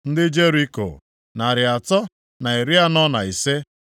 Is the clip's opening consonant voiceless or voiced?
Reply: voiced